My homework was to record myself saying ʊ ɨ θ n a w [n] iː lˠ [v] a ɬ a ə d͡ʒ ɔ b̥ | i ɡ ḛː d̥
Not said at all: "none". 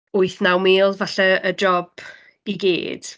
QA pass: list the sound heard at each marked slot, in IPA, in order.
m, v

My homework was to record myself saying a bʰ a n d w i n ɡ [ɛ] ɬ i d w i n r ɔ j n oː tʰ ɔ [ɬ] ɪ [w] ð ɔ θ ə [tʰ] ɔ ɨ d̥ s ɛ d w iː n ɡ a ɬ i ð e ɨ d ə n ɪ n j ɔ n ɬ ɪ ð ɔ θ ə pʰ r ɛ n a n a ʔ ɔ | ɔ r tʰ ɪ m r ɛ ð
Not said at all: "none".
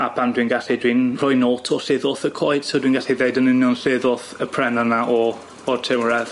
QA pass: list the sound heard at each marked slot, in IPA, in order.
a, ɬ, none, kʰ

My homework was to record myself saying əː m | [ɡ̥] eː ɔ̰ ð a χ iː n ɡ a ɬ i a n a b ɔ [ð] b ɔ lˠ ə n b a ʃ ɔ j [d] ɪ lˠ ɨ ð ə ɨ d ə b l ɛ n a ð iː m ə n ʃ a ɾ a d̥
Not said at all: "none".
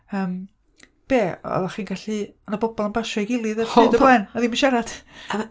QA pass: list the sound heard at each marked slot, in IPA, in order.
b̥, none, ɡ

